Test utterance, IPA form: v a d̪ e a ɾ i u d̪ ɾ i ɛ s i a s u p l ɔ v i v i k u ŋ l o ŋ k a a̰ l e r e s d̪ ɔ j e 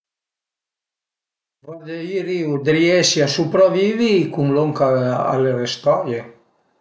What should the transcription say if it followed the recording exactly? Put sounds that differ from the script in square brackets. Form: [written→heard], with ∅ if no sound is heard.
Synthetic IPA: v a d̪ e [a→i] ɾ i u d̪ ɾ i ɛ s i a s u p [l→ɾ] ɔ v i v i k u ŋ l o ŋ k a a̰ l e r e s [d̪→t̪] ɔ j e

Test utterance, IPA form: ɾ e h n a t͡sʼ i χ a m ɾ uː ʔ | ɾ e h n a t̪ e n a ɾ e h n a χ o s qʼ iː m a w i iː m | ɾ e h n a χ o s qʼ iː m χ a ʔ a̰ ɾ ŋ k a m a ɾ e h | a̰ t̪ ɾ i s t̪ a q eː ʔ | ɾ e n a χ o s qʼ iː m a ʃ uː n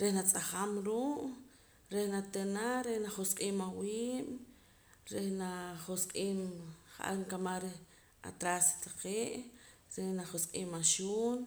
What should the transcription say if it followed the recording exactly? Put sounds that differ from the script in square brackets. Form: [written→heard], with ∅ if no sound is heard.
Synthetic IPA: ɾ e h n a t͡sʼ [i→a] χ a m ɾ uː ʔ | ɾ e h n a t̪ e n a ɾ e h n a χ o s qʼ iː m a w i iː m | ɾ e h n a χ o s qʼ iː m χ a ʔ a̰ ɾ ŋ k a m a ɾ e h | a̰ t̪ ɾ [i→a] s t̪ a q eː ʔ | ɾ e n a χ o s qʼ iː m a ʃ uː n

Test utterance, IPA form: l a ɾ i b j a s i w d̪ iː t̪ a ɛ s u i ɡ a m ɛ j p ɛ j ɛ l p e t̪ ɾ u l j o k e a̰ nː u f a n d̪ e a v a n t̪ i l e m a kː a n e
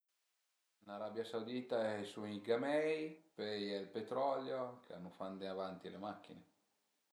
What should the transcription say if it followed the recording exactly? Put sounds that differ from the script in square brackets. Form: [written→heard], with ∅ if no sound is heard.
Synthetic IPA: l a ɾ [i→a] b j a s [i→a] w d̪ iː t̪ a ɛ s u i ɡ a m ɛ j p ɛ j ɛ l p e t̪ ɾ [u→ɔ] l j o k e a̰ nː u f a n d̪ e a v a n t̪ i l e m a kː [a→i] n e

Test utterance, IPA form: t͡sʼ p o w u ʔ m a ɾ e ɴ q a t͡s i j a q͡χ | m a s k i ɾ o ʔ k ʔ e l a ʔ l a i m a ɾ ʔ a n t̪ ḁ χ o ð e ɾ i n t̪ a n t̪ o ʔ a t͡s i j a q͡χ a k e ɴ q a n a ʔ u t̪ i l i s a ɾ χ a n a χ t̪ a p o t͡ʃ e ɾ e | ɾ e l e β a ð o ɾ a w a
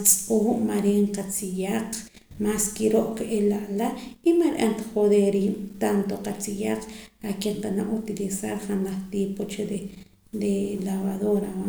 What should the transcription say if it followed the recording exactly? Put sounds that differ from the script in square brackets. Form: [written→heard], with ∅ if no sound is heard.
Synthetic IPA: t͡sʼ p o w u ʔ m a ɾ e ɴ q a t͡s i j a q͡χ | m a s k i ɾ o ʔ k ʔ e l a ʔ l a i m a ɾ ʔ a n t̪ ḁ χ o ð e ɾ i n t̪ a n t̪ o [ʔ→q] a t͡s i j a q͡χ a k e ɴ q a n a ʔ u t̪ i l i s a ɾ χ a n a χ t̪ [a→i] p o t͡ʃ e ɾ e | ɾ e l [e→a] β a ð o ɾ a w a

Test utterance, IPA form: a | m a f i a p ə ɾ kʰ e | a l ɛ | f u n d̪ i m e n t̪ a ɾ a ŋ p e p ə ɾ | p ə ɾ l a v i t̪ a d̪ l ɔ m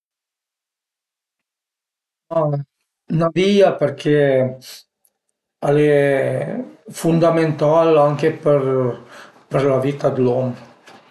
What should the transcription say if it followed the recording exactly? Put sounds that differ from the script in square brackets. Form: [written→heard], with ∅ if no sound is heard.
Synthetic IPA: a | [m→n] a [f→v] i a p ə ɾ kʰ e | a l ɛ | f u n d̪ [i→a] m e n t̪ a [ɾ→l] a ŋ [p→k] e p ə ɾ | p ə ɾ l a v i t̪ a d̪ l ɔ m

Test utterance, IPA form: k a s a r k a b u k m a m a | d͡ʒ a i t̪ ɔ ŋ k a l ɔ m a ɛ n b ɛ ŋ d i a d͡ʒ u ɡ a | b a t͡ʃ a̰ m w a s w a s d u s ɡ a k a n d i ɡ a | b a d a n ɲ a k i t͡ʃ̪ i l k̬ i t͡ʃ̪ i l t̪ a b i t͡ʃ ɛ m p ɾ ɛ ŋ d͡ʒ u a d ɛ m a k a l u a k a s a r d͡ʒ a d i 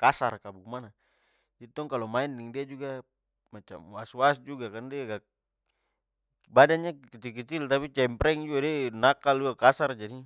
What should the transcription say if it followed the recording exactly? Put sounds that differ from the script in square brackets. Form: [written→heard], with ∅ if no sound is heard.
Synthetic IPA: k a s a r k a b u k m a [m→n] a | d͡ʒ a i t̪ ɔ ŋ k a l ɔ m a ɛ n [b→d] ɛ ŋ d i a d͡ʒ u ɡ a | [b→m] a t͡ʃ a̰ m w a s w a s [d→d͡ʒ] u [s→∅] ɡ a k a n d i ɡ a | b a d a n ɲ a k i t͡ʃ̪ i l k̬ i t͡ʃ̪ i l t̪ a [b→p] i t͡ʃ ɛ m p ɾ ɛ ŋ d͡ʒ u a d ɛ [m→n] a k a l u a k a s a r d͡ʒ a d i

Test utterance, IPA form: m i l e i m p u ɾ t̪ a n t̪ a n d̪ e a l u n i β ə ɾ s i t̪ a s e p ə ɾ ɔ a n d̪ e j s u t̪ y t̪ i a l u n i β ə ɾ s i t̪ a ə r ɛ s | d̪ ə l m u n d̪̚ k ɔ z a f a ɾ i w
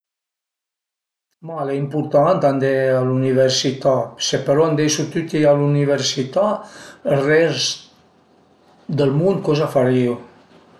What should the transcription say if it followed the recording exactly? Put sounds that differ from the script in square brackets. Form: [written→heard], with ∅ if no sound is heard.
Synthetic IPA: m [i→a] l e i m p u ɾ t̪ a n t̪ a n d̪ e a l u n i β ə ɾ s i t̪ a s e p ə ɾ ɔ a n d̪ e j s u t̪ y t̪ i a l u n i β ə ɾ s i t̪ a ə r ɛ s | d̪ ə l m u n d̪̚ k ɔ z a f a ɾ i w

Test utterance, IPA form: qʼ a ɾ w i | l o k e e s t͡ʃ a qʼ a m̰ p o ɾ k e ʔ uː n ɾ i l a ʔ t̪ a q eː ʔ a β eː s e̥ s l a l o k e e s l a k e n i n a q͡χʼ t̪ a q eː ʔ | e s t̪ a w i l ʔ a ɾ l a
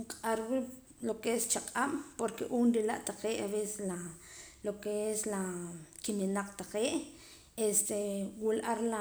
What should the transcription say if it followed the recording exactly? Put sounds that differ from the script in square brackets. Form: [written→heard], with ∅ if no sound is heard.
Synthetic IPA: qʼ a ɾ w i | l o k e e s t͡ʃ a qʼ a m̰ p o ɾ k e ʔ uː n ɾ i l a ʔ t̪ a q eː ʔ a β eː s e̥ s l a l o k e e s l a k [e→i] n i n a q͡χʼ t̪ a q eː ʔ | e s t̪ [a→e] w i l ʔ a ɾ l a

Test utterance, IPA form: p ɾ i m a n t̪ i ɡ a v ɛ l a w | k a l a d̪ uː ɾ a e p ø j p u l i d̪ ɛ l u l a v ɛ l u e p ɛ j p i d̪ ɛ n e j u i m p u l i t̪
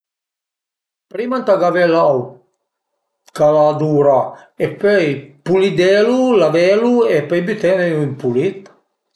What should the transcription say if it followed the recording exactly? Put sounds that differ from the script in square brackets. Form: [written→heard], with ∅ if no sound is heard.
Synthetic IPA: p ɾ i m a n t̪ [i→a] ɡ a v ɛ l a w | k a l a d̪ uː ɾ a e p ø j p u l i d̪ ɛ l u l a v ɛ l u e p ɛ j [p→b] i [d̪→t̪] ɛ n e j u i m p u l i t̪

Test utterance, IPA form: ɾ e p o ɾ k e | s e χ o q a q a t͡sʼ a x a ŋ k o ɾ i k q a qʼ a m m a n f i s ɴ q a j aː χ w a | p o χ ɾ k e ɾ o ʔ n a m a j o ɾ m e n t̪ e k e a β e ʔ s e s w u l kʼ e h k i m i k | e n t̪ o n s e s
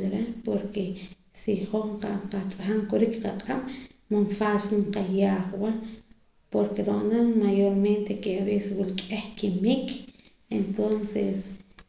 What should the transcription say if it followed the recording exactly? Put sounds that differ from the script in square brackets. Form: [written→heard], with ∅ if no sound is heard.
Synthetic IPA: ɾ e p o ɾ k e | s [e→i] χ o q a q a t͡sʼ a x a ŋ k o ɾ i k q a qʼ a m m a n f [i→a] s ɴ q a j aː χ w a | p o [χ→∅] ɾ k e ɾ o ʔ n a m a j o ɾ m e n t̪ e k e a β e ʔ s e s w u l kʼ e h k i m i k | e n t̪ o n s e s

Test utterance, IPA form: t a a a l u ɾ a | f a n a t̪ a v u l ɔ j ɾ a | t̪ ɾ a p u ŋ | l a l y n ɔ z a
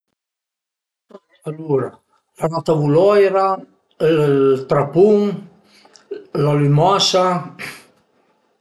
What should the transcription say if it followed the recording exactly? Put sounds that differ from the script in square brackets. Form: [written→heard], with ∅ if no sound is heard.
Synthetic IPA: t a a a l u ɾ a | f a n a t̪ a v u l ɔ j ɾ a | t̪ ɾ a p u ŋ | l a l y [n→m] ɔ [z→s] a

